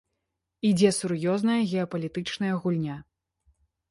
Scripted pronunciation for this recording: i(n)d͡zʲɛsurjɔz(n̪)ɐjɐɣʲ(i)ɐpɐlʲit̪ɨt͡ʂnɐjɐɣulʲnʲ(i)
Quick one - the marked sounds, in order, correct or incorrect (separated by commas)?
incorrect, correct, incorrect, incorrect